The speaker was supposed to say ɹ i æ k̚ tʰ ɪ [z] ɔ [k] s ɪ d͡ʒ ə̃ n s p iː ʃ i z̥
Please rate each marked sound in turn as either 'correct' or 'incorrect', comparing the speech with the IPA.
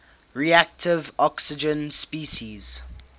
incorrect, correct

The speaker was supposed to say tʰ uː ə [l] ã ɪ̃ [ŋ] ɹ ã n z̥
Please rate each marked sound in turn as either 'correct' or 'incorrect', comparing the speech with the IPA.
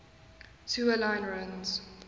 correct, incorrect

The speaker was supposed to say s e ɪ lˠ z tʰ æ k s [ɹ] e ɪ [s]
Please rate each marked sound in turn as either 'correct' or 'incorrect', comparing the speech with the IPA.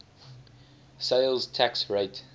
correct, incorrect

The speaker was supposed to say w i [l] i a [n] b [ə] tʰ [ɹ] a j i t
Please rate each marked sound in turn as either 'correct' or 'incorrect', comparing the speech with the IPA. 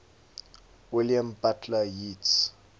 correct, incorrect, incorrect, incorrect

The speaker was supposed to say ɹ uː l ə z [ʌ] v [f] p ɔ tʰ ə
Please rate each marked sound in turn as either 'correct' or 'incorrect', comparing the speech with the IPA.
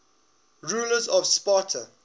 incorrect, incorrect

